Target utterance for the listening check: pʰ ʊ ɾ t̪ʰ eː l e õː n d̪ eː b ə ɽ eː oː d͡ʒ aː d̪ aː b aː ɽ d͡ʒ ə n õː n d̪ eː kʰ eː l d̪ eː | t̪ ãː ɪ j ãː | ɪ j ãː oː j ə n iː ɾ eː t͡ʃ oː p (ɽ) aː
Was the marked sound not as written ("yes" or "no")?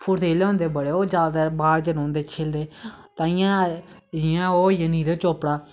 no